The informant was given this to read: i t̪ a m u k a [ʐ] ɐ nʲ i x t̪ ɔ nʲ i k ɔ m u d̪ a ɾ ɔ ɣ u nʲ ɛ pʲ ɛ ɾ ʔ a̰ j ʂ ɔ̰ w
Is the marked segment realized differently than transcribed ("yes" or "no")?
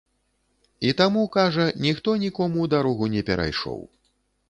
no